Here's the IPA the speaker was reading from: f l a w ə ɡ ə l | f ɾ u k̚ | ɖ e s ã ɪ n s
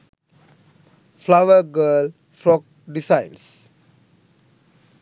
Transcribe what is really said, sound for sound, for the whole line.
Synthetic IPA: f l a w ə ɡ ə l | f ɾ ɔ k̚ | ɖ i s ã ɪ n s